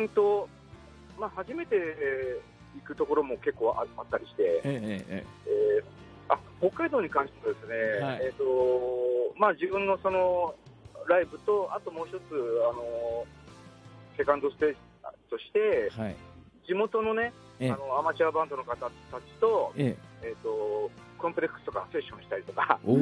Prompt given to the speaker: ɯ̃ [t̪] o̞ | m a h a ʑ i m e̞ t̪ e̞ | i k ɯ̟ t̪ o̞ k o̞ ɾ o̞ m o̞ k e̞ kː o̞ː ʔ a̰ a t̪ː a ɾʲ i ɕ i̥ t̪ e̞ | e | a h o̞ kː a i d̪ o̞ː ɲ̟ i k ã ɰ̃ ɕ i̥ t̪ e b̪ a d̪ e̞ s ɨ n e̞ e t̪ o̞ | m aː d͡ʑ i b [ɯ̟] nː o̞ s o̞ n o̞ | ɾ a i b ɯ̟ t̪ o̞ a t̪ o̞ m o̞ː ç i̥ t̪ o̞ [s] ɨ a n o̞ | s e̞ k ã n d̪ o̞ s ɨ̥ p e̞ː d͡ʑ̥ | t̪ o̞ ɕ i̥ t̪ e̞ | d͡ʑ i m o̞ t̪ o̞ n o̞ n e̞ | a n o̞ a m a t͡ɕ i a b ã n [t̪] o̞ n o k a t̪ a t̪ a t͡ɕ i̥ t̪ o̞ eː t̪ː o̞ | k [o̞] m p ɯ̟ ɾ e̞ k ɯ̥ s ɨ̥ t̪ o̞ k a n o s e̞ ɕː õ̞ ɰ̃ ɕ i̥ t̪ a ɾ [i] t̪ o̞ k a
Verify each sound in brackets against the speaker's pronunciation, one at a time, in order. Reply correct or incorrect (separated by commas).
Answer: correct, incorrect, incorrect, incorrect, incorrect, correct